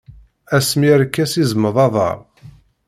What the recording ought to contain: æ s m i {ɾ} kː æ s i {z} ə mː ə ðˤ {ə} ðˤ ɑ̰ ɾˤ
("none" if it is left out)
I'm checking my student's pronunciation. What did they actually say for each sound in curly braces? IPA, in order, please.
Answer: ɾ, z, ɑ

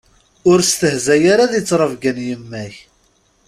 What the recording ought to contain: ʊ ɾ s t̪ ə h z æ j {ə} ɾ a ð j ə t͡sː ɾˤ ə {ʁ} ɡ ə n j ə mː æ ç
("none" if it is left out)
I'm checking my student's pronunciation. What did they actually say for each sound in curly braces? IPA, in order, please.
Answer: a, v

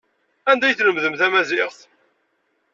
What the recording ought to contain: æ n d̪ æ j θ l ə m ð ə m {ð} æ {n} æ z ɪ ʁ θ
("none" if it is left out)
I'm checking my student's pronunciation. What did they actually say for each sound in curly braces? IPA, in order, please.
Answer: θ, m

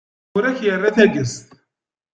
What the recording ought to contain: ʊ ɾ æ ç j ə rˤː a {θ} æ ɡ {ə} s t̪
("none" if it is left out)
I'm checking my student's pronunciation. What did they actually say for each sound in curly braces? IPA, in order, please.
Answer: θ, ə

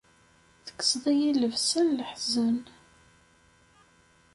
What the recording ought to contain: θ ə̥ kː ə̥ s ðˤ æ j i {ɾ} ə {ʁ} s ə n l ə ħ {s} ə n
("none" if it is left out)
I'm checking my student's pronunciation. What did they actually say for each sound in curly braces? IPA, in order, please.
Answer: l, v, z

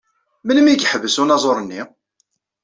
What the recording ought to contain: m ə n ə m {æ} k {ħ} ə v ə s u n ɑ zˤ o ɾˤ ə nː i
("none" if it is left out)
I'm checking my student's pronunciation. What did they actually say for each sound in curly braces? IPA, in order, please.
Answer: i, ħ

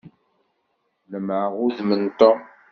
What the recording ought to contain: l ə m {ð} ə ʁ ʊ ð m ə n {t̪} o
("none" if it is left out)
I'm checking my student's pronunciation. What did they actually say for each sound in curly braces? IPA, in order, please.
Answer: ʕ, t̪

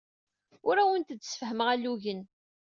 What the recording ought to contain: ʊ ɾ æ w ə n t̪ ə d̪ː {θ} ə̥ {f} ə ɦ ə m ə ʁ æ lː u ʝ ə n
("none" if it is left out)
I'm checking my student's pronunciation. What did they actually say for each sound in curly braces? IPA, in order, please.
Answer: s, f

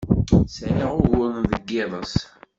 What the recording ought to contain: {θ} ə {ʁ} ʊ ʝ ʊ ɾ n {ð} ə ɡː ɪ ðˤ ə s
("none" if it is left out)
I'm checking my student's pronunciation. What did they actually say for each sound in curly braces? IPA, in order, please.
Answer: s, ʁ, ð

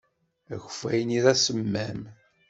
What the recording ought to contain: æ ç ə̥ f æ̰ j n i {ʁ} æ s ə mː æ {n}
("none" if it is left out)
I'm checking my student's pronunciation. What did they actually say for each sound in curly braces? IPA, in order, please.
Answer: ð, m

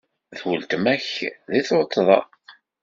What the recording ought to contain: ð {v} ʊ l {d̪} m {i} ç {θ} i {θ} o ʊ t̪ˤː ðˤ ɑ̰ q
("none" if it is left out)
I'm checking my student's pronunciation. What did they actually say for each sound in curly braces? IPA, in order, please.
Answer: w, t̪, æ, ð, θ

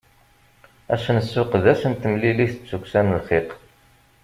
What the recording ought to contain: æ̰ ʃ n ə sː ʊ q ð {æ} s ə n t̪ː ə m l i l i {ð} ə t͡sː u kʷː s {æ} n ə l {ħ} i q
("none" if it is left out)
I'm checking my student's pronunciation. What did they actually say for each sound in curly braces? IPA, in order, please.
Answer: æ, θ, æ, χ

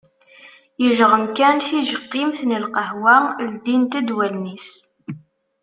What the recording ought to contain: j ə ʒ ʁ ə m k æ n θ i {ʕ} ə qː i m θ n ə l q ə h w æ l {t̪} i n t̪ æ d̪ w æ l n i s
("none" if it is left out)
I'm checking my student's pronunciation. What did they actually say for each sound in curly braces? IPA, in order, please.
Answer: ʒ, d̪

